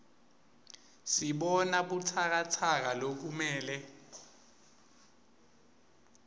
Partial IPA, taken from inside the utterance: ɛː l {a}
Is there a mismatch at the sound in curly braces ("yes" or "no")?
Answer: yes